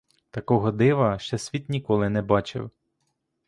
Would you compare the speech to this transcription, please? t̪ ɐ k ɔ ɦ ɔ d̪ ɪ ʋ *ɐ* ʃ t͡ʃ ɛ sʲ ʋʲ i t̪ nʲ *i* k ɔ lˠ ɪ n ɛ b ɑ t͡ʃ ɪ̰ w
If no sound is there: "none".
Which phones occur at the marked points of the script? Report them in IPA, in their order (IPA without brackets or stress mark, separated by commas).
ɐ, i